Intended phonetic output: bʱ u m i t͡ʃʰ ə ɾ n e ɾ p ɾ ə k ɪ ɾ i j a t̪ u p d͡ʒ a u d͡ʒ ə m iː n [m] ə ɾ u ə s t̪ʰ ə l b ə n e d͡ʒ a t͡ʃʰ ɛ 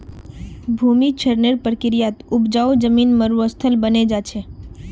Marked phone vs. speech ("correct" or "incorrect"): correct